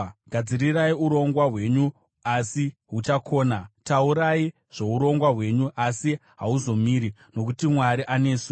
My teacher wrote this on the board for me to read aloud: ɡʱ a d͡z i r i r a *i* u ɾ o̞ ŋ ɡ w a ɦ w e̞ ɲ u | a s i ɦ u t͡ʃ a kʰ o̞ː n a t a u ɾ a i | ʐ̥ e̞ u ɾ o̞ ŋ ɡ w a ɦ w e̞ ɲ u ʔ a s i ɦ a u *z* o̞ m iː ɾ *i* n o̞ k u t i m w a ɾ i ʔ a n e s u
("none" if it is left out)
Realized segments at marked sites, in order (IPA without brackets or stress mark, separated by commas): i, z, i